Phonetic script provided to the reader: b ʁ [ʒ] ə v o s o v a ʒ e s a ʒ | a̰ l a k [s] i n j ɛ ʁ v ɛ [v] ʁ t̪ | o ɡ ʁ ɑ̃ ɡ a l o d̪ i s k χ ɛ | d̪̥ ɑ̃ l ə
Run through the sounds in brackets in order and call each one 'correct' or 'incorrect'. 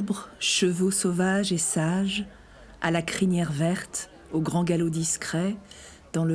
incorrect: ʃ, incorrect: χ, incorrect: none

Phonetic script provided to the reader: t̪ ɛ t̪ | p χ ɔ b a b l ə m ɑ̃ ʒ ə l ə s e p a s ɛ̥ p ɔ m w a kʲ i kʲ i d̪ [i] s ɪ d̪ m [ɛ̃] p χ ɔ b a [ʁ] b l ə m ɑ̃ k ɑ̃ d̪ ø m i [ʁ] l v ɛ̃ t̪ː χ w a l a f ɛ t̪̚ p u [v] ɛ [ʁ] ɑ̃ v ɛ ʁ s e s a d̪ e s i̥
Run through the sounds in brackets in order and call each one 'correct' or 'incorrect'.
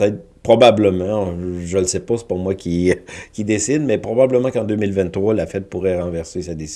incorrect: e, incorrect: ɛ, incorrect: none, incorrect: none, incorrect: ʁ, correct

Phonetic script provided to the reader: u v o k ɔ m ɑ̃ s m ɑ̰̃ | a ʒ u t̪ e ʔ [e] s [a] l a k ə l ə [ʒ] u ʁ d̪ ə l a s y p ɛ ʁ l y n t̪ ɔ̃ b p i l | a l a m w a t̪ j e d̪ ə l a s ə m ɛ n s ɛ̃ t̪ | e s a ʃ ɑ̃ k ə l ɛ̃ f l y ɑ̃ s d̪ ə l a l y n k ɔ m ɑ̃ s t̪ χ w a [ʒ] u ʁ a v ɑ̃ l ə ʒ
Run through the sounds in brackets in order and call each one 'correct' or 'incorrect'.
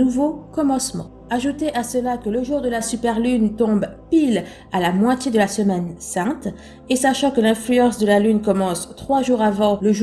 incorrect: a, incorrect: ə, correct, correct

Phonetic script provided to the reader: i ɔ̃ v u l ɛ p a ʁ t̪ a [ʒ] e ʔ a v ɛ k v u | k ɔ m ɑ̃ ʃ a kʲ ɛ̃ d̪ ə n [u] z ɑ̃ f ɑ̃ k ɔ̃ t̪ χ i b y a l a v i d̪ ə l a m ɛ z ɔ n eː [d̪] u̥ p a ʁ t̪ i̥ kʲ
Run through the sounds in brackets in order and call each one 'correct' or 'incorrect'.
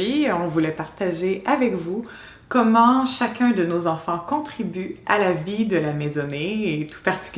correct, incorrect: o, incorrect: t̪

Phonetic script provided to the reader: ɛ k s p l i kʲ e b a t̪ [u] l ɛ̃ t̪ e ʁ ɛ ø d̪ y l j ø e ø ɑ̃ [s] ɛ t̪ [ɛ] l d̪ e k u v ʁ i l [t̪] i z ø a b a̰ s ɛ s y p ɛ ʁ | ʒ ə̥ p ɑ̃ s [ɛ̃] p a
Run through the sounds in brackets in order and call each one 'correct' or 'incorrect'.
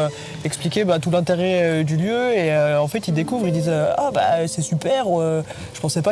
correct, incorrect: f, incorrect: i, incorrect: d̪, incorrect: ɛ

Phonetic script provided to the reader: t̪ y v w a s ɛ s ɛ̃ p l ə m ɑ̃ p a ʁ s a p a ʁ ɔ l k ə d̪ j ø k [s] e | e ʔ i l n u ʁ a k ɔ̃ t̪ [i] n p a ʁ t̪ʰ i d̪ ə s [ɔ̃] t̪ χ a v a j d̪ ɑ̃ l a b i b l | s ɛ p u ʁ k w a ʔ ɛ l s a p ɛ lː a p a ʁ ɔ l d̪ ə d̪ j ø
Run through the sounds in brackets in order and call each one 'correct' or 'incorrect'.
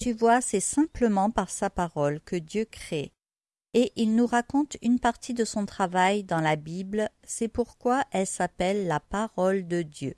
incorrect: χ, incorrect: y, correct

